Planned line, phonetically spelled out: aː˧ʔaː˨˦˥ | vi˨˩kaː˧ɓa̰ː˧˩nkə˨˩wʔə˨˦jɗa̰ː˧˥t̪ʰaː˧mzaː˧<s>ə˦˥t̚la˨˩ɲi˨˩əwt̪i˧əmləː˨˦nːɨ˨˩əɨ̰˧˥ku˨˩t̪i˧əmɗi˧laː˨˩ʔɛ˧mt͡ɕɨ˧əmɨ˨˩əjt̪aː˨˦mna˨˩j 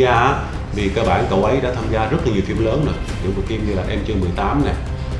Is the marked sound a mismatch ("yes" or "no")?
yes